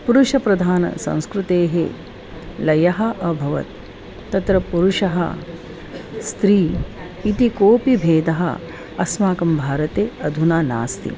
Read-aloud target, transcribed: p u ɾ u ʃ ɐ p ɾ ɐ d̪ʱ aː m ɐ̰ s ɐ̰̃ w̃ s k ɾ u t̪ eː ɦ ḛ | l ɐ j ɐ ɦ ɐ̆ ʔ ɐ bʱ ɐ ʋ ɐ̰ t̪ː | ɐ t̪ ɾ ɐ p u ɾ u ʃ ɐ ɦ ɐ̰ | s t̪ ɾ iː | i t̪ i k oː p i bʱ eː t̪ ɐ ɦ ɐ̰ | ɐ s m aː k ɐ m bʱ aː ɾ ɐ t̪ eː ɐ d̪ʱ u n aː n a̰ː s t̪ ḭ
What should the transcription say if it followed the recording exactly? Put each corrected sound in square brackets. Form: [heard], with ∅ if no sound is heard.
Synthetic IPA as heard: p u ɾ u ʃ ɐ p ɾ ɐ d̪ʱ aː [n] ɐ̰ s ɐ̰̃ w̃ s k ɾ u t̪ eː ɦ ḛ | l ɐ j ɐ ɦ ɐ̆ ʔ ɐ bʱ ɐ ʋ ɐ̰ t̪ː | ɐ t̪ ɾ ɐ p u ɾ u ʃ ɐ ɦ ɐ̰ | s t̪ ɾ iː | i t̪ i k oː p i bʱ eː [d̪] ɐ ɦ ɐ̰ | ɐ s m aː k ɐ m bʱ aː ɾ ɐ t̪ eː ɐ d̪ʱ u n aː n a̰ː s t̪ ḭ